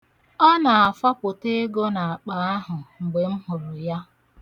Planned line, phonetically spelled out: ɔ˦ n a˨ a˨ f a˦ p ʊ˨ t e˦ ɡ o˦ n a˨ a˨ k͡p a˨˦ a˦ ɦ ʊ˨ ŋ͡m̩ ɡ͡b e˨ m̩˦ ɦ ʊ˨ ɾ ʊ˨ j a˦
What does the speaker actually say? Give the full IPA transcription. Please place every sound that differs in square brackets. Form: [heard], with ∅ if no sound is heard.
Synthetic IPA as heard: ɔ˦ n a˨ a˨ f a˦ p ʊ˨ t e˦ ɡ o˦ n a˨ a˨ k͡p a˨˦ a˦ ɦ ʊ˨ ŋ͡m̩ ɡ͡b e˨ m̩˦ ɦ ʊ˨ ɾ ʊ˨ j a˦